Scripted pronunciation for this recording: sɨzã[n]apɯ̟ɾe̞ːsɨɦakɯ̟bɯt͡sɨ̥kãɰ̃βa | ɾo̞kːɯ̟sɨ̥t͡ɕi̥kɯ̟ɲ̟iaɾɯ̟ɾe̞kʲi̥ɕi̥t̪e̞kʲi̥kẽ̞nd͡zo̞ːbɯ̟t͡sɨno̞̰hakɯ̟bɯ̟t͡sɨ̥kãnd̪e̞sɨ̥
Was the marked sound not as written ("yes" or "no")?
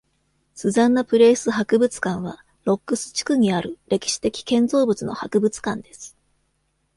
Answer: yes